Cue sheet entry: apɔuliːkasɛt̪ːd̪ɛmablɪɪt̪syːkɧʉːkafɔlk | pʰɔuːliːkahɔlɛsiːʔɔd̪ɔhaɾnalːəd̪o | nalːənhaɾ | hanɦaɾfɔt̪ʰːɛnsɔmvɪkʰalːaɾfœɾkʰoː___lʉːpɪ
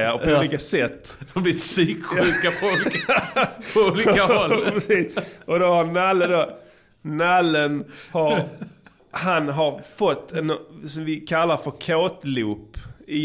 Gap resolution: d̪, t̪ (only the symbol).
t̪